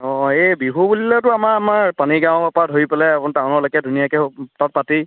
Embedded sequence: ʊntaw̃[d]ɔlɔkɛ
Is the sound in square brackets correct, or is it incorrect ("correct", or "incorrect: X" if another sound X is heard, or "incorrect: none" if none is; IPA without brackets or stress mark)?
incorrect: n